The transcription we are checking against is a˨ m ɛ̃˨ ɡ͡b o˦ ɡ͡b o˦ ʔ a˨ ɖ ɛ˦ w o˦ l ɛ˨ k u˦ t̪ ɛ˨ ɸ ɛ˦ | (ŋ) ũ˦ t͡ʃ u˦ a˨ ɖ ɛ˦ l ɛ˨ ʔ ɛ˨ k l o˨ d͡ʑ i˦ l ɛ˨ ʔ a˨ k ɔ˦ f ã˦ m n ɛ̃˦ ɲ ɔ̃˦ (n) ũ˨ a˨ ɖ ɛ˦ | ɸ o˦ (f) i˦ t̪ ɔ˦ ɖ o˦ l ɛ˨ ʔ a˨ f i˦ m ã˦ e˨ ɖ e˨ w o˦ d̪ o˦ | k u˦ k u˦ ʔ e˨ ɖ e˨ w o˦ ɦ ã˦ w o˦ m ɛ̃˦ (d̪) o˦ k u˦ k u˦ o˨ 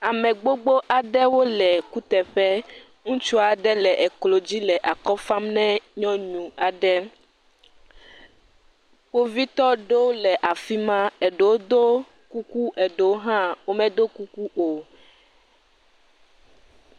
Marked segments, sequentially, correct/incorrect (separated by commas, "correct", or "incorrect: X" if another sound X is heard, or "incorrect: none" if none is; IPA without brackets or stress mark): correct, incorrect: ɲ, incorrect: v, correct